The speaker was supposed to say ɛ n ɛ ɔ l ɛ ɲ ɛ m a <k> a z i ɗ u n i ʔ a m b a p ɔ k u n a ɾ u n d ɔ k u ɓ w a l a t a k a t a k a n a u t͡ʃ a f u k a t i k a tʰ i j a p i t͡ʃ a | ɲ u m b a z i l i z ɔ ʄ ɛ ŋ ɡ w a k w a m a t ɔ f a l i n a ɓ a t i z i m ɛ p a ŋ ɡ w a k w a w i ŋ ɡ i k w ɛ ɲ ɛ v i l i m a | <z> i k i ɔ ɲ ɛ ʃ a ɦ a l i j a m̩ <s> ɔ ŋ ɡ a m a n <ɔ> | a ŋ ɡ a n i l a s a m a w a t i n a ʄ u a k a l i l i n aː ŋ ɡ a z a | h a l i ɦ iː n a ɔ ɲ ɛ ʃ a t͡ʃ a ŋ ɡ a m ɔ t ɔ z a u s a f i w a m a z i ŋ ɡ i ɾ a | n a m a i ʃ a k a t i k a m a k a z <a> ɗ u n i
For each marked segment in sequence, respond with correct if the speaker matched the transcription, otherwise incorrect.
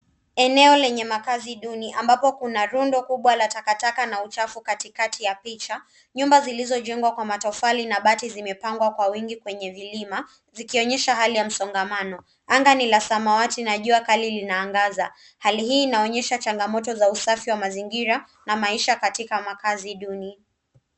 correct, correct, correct, correct, incorrect: i

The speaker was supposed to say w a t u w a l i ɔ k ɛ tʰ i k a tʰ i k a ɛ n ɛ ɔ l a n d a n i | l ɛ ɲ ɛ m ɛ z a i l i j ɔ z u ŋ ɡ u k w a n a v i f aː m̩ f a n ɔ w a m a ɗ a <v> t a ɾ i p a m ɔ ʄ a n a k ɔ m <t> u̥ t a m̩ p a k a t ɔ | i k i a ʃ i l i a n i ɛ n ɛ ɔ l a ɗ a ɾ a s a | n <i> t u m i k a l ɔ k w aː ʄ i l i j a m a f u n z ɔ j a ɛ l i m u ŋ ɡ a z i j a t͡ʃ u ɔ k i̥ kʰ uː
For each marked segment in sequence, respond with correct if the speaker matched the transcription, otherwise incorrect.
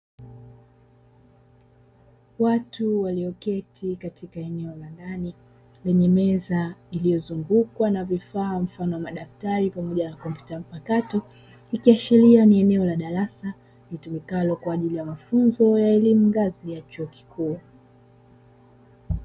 incorrect: f, incorrect: p, correct

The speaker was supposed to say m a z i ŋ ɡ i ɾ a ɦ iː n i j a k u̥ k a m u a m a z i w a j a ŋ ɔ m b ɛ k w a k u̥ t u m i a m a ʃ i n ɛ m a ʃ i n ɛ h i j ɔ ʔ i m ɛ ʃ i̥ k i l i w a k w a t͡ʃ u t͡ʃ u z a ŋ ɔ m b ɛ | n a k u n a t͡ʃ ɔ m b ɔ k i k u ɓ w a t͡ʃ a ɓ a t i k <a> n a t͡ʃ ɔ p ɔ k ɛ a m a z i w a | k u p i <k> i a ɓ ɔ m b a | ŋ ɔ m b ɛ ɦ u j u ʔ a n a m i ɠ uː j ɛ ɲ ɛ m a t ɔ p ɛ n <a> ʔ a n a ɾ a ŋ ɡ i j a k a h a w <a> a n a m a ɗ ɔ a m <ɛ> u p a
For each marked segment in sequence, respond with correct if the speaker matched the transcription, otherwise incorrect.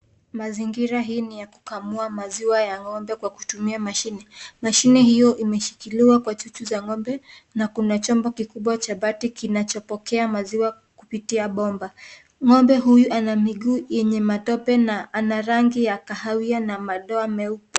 incorrect: i, incorrect: t, correct, incorrect: i, correct

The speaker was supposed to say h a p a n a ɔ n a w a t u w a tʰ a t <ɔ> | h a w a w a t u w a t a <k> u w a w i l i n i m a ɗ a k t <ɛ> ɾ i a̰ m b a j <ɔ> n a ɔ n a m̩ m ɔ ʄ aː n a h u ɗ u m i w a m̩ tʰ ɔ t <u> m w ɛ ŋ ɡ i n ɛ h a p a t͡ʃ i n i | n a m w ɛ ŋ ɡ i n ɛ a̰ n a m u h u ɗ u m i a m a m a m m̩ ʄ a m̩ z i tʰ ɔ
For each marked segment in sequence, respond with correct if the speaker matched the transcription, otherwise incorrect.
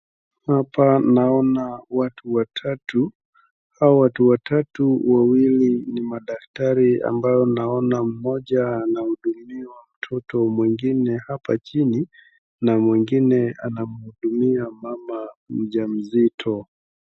incorrect: u, incorrect: t, incorrect: a, correct, incorrect: ɔ

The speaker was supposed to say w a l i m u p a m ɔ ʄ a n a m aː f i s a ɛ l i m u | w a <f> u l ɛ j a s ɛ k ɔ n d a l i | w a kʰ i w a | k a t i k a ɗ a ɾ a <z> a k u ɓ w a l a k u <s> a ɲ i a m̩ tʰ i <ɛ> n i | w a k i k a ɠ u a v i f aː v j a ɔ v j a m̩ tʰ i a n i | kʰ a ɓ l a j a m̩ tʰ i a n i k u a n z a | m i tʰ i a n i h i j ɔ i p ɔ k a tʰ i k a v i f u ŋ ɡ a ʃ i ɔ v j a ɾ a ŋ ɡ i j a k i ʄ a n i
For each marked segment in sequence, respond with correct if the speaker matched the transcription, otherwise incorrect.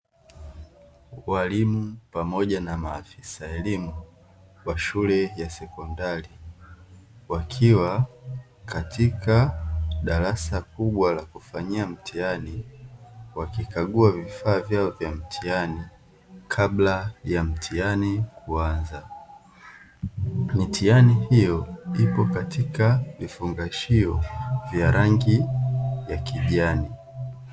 incorrect: ʃ, incorrect: s, incorrect: f, incorrect: a

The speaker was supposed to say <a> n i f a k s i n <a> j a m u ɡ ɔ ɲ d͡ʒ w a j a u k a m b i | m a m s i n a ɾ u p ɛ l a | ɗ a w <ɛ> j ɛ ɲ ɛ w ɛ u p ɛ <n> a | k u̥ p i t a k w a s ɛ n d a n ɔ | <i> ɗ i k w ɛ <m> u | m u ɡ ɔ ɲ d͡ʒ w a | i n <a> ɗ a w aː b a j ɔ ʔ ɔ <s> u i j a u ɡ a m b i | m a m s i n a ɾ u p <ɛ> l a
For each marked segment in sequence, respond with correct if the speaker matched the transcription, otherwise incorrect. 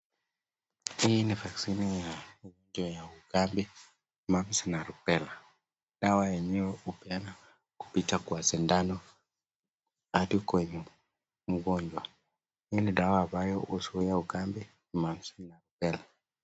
incorrect: i, incorrect: i, incorrect: a, correct, incorrect: a, incorrect: ɲ, incorrect: i, correct, correct

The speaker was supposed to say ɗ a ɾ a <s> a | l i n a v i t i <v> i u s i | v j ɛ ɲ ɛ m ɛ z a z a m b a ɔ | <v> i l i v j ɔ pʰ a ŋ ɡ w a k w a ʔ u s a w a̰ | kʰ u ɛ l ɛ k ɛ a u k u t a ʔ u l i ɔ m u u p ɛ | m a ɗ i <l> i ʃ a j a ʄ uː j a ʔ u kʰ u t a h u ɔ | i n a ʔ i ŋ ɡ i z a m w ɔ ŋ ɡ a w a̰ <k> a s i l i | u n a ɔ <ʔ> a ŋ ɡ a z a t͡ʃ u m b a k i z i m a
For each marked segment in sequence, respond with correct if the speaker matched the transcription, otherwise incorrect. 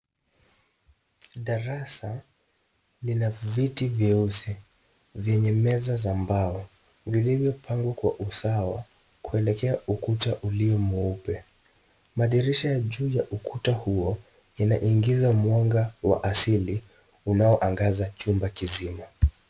correct, correct, correct, incorrect: ɾ, incorrect: ʔ, correct

